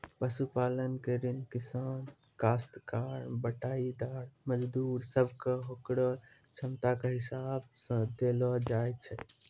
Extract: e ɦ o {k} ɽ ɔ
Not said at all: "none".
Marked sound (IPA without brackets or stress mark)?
k